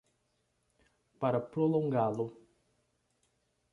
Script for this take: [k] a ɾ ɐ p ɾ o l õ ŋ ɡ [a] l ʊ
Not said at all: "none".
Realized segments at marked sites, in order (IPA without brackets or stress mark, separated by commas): p, a